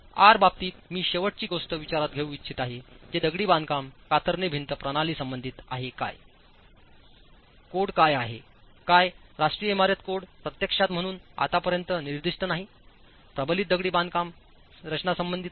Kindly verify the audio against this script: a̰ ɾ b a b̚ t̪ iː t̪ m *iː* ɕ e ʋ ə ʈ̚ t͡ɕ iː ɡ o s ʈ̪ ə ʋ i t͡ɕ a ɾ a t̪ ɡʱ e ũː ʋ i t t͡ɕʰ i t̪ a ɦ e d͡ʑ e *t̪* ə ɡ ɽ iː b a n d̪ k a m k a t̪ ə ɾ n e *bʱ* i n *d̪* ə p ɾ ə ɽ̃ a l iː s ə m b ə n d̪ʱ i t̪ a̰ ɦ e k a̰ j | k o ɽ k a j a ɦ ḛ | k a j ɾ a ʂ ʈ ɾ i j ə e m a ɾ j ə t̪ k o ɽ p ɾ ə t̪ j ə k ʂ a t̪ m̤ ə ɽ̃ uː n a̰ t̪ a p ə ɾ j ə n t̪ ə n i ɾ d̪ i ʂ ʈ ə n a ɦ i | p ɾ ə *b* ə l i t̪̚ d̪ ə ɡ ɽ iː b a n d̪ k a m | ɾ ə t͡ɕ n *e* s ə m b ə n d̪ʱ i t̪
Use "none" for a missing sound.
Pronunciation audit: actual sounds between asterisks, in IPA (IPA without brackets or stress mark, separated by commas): iː, d̪, bʱ, t̪, b, a